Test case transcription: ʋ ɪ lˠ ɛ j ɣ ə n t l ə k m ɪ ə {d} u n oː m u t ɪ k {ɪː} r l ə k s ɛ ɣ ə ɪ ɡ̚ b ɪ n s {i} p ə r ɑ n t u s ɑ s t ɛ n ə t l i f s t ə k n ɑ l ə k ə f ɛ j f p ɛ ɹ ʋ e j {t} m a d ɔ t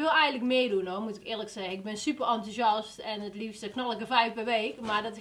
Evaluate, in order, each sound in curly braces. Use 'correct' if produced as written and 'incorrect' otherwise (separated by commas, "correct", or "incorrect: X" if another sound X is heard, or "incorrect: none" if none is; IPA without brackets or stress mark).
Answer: correct, correct, incorrect: y, incorrect: k